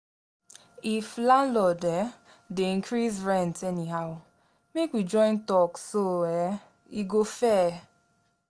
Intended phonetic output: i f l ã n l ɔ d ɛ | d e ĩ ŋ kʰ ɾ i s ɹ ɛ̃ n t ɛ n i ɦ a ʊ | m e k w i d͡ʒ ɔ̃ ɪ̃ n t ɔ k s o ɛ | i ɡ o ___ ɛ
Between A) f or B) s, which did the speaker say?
A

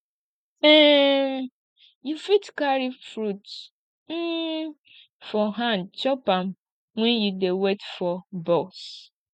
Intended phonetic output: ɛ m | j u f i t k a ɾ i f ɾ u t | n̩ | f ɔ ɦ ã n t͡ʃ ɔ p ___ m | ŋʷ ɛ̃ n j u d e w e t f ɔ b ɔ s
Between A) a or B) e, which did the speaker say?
A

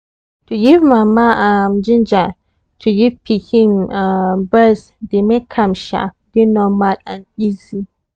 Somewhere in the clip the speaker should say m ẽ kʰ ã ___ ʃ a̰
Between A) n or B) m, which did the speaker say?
B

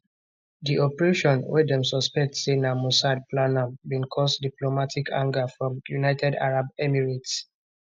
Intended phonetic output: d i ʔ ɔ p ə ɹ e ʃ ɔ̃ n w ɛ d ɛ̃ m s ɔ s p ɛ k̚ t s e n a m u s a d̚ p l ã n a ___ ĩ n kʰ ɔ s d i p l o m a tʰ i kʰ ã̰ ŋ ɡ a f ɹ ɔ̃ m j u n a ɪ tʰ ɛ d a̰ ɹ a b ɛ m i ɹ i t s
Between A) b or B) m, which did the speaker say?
A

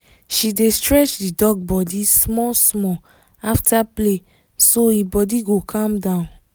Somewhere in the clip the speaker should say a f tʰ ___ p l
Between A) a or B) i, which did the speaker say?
A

